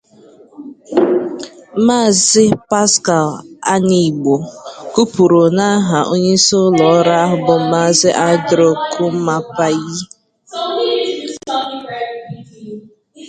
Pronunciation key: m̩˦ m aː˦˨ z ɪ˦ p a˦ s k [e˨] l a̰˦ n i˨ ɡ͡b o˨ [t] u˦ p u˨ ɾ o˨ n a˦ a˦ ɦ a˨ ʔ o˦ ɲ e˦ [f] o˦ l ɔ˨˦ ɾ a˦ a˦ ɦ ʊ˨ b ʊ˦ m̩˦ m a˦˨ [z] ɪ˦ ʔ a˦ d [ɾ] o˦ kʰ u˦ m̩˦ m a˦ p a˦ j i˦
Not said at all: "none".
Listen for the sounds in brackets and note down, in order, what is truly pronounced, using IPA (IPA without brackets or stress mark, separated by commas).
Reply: a˨, k, s, z, ɾ